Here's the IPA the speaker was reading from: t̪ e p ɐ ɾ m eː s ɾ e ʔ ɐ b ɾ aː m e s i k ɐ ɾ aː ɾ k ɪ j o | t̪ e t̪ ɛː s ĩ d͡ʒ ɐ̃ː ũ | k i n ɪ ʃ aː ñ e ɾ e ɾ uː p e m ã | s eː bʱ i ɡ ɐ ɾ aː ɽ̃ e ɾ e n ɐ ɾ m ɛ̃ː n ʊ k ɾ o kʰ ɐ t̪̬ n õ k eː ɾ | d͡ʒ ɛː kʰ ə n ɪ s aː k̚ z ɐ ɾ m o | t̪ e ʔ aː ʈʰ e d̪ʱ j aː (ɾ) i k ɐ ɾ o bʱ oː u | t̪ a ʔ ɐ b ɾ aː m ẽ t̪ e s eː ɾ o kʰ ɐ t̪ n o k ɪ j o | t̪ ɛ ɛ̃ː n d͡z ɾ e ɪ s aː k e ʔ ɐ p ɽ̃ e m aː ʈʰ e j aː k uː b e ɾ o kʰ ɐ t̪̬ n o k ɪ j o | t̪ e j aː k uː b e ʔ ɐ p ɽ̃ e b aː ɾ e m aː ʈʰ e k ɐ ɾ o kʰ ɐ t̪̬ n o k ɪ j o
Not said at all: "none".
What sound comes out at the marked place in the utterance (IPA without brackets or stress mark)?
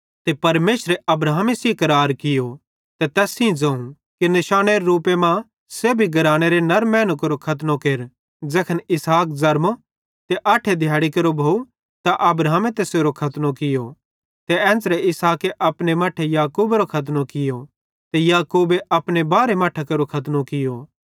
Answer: ɽ